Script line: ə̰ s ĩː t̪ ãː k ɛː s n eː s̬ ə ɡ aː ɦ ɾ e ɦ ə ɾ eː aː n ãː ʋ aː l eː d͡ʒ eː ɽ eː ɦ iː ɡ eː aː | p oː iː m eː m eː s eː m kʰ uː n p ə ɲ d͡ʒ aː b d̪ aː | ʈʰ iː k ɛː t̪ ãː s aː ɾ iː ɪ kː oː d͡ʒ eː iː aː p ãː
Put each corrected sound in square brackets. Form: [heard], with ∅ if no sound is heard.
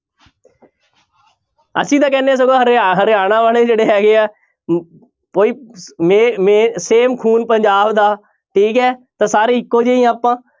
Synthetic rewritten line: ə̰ s ĩː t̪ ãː k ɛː [∅] n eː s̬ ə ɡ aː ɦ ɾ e ɦ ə ɾ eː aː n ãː ʋ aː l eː d͡ʒ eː ɽ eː ɦ [ɛː] ɡ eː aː | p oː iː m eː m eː s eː m kʰ uː n p ə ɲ d͡ʒ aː b d̪ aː | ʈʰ iː k ɛː t̪ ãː s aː ɾ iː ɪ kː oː d͡ʒ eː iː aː p ãː